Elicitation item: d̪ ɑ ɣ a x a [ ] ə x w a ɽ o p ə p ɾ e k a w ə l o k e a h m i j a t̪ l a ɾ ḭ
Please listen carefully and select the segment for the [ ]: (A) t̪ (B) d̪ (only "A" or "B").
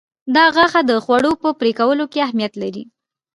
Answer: B